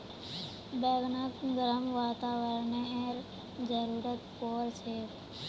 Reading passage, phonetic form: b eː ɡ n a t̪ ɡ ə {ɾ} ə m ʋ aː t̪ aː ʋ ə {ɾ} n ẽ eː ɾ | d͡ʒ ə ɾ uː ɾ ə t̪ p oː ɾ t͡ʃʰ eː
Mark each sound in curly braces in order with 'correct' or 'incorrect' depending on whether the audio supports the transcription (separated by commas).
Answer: correct, correct